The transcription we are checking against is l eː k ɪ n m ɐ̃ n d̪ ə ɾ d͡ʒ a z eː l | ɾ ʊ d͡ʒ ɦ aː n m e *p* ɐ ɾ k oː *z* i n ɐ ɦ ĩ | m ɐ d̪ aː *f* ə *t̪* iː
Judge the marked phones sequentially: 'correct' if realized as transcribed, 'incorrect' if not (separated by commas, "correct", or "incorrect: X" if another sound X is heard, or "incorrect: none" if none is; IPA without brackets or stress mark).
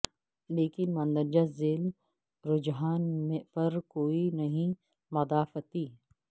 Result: correct, incorrect: none, correct, correct